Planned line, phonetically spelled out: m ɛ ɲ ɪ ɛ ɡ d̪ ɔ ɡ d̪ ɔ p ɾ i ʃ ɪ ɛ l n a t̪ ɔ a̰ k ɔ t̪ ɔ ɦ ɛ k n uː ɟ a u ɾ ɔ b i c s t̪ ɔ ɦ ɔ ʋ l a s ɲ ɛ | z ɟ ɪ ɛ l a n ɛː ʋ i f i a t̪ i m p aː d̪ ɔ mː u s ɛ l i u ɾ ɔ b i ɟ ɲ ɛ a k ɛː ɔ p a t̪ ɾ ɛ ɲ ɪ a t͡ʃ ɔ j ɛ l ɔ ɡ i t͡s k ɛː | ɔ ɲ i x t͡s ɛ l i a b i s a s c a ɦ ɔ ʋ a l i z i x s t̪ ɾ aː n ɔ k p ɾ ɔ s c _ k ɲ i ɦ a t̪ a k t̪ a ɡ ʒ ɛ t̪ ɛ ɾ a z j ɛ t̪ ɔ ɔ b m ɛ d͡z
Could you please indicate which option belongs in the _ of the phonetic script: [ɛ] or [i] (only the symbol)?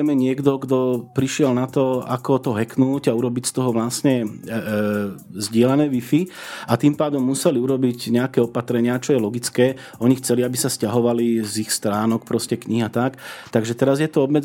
ɛ